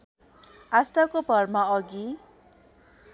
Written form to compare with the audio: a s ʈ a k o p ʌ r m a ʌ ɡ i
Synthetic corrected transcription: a s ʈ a k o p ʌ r m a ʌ ɡ i